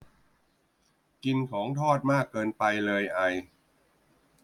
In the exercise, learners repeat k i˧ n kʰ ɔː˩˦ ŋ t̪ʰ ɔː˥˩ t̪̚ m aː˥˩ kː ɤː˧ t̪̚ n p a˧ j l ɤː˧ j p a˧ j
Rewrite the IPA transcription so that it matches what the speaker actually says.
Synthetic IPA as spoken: k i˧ n kʰ ɔː˩˦ ŋ t̪ʰ ɔː˥˩ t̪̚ m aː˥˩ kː ɤː˧ n p a˧ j l ɤː˧ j ʔ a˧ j